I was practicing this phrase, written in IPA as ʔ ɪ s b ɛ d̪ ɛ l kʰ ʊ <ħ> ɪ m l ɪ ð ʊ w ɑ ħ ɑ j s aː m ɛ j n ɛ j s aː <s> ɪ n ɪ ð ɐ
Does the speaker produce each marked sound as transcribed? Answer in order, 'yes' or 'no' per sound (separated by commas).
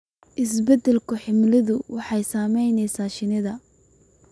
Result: yes, no